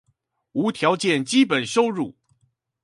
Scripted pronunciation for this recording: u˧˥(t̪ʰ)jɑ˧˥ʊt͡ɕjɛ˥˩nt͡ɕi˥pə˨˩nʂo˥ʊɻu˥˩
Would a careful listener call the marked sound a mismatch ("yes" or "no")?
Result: no